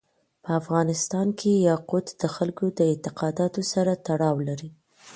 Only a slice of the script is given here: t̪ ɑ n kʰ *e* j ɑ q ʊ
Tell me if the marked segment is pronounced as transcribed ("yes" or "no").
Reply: yes